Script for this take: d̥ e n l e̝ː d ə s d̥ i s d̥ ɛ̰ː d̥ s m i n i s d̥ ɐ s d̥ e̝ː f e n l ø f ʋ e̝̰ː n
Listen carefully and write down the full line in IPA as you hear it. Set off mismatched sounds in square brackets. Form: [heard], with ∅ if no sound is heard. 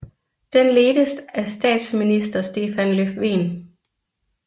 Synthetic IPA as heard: d̥ e n l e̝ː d ə s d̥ [æ] s d̥ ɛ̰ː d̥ s m i n i s d̥ ɐ s d̥ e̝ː f [æ] n l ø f ʋ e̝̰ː n